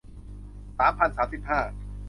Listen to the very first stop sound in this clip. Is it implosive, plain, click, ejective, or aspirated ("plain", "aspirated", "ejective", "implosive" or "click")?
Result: aspirated